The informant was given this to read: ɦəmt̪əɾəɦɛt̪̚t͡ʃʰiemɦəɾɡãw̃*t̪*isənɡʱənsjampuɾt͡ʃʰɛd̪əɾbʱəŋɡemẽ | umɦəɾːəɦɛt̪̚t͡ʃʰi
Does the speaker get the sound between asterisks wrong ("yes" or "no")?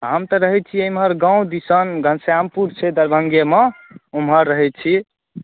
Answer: yes